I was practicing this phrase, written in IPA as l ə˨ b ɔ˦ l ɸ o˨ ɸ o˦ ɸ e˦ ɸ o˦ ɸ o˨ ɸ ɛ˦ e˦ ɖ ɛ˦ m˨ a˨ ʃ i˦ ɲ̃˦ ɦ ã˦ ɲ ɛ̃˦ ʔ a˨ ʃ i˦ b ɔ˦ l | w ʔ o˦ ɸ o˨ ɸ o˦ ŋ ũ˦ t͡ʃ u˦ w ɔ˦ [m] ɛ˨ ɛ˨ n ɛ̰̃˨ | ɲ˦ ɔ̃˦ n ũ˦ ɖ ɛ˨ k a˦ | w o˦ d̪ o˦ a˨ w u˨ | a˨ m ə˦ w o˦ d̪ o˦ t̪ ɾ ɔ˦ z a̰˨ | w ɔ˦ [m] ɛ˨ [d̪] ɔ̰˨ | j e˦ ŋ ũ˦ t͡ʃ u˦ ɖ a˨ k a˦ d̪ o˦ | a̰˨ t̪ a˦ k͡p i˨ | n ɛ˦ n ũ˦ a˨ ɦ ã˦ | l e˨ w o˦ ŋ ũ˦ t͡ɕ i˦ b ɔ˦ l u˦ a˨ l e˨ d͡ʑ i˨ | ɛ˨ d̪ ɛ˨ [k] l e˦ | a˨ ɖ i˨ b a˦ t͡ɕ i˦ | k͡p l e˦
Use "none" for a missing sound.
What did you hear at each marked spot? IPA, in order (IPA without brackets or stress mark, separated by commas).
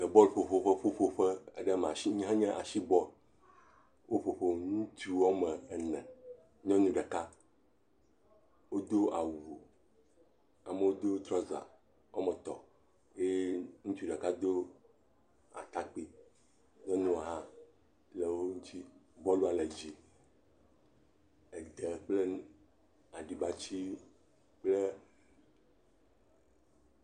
m, m, t̪, k͡p